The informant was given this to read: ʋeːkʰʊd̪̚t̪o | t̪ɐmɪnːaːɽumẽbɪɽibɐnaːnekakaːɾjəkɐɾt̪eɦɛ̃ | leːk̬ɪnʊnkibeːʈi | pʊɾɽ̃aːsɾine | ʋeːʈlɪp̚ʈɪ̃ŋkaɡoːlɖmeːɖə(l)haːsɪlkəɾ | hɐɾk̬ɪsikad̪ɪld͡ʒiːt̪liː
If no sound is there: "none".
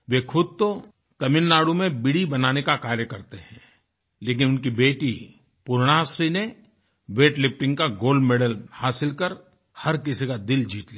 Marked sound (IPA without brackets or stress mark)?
l